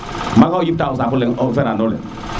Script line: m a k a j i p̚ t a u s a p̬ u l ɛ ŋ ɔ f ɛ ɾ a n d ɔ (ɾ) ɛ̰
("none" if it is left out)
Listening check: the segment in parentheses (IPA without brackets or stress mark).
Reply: l